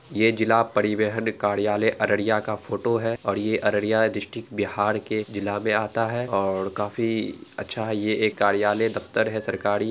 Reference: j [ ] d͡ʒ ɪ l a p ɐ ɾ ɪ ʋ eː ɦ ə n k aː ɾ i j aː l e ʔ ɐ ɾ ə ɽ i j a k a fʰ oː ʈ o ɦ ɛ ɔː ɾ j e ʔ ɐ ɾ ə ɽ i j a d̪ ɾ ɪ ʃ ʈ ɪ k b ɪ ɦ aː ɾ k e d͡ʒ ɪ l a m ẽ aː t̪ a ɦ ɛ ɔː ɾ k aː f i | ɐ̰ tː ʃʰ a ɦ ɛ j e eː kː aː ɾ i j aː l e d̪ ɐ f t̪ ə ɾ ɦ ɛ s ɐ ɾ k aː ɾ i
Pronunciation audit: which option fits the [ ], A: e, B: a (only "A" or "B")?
A